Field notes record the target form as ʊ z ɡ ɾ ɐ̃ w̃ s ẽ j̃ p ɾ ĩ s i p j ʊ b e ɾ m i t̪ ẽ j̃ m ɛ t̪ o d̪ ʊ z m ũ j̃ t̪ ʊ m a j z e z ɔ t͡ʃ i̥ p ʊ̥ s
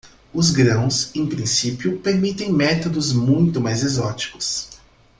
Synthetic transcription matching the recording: ʊ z ɡ ɾ ɐ̃ w̃ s ẽ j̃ p ɾ ĩ s i p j ʊ p e ɾ m i t̪ ẽ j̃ m ɛ t̪ o d̪ ʊ z m ũ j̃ t̪ ʊ m a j z e z ɔ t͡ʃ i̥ k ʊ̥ s